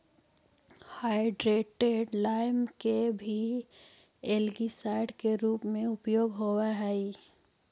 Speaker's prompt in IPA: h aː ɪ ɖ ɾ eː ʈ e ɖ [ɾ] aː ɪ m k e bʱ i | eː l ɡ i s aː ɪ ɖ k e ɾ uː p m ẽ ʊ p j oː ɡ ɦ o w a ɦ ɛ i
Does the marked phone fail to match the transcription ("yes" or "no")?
yes